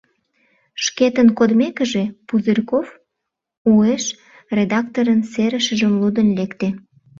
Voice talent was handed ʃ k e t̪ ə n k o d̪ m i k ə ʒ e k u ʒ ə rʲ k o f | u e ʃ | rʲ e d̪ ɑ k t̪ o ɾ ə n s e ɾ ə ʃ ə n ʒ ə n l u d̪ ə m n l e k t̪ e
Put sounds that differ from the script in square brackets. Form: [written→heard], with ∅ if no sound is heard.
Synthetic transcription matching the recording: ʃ k e t̪ ə n k o d̪ m [i→e] k ə ʒ e [k→p] u [ʒ→z] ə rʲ k o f | u e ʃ | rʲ e d̪ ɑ k t̪ o ɾ ə n s e ɾ ə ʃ ə [n→∅] ʒ ə [n→m] l u d̪ ə [m→∅] n l e k t̪ e